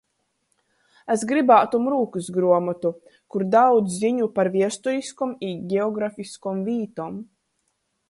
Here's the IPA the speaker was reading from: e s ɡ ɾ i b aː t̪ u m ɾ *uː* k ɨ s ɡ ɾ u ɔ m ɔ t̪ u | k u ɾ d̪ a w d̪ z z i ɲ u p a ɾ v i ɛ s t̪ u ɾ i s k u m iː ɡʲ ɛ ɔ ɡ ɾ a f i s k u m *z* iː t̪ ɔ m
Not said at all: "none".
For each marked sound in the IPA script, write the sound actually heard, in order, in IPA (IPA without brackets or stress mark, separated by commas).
uː, v